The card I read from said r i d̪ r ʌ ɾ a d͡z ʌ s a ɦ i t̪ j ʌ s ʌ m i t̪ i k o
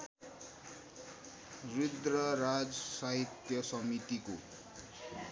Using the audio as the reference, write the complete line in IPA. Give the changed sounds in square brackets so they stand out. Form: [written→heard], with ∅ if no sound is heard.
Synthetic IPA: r i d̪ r ʌ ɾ a d͡z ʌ s a ɦ i t̪ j ʌ s ʌ m i t̪ i k o